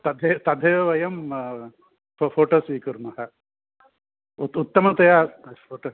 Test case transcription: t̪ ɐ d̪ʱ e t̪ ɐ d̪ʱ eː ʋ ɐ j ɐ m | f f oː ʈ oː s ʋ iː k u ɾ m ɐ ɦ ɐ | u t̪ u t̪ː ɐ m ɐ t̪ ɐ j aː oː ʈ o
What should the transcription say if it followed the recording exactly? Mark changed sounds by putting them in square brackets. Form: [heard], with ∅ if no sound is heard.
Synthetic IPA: t̪ ɐ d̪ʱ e t̪ ɐ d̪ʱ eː ʋ ɐ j ɐ m | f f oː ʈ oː s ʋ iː k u ɾ m ɐ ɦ ɐ | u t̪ u t̪ː ɐ m ɐ t̪ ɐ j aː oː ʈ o